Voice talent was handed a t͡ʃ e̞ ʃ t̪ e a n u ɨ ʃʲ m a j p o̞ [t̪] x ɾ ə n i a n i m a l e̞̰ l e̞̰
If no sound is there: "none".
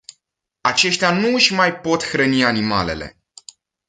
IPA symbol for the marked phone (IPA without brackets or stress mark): t̪